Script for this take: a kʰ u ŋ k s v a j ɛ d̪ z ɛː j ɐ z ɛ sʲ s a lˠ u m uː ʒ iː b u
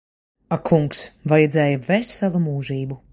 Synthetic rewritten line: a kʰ u ŋ k s v a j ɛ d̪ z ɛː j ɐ v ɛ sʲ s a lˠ u m uː ʒ iː b u